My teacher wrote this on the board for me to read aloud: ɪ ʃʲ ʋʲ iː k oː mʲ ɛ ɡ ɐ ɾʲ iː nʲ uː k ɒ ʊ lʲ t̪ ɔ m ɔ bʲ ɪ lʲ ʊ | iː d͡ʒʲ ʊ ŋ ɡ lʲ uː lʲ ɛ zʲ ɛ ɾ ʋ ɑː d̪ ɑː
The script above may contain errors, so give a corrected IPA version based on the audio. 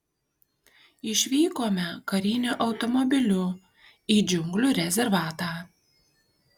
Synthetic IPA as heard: ɪ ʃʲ ʋʲ iː k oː mʲ ɛ k ɐ ɾʲ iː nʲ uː ʔ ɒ ʊ t̪ ɔ m ɔ bʲ ɪ lʲ ʊ | iː d͡ʒʲ ʊ ŋ ɡ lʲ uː ɾʲ ɛ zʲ ɛ ɾ ʋ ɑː t̪ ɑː